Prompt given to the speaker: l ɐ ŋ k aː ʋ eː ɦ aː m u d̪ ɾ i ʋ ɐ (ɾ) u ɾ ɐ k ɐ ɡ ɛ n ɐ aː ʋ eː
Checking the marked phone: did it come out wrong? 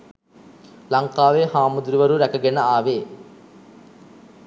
no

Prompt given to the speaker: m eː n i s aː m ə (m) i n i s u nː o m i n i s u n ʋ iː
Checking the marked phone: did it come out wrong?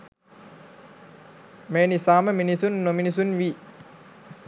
no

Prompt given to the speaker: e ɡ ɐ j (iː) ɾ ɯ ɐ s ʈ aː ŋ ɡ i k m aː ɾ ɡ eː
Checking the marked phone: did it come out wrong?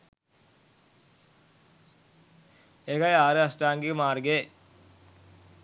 yes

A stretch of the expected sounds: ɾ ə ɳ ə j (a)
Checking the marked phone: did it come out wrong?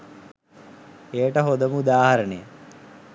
yes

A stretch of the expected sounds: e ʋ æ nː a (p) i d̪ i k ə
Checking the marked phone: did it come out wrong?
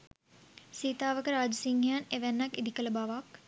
yes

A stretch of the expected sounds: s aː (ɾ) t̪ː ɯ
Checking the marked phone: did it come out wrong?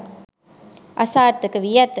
no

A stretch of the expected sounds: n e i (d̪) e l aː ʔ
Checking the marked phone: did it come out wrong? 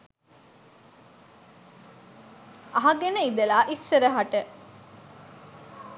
no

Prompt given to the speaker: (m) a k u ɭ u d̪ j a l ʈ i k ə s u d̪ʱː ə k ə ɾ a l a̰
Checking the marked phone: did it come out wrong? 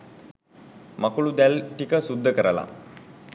no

